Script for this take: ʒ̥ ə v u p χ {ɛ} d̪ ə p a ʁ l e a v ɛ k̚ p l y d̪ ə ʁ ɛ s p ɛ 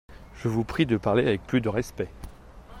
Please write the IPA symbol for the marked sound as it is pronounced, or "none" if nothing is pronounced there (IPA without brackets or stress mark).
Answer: i